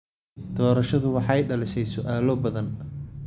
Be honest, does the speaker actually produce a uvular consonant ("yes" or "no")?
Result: no